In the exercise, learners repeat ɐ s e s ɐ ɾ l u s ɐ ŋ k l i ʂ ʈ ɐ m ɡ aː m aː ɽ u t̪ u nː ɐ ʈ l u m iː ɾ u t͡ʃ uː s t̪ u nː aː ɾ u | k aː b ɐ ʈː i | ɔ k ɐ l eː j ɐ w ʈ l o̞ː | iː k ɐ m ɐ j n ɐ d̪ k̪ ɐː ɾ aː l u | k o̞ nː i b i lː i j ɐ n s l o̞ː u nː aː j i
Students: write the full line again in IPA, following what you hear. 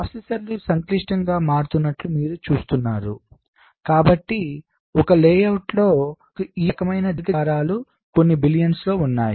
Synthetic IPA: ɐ s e s ɐ ɾ l u s ɐ ŋ k l i ʂ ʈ ɐ ŋ ɡ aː m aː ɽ u t̪ u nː ɐ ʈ l u m iː ɾ u t͡ʃ uː s t̪ u nː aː ɾ u | k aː b ɐ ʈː i | ɔ k ɐ l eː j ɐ w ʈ l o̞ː | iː k ɐ m ɐ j n ɐ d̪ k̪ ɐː ɾ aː l u | k o̞ nː i b i l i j ɐ n s l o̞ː u nː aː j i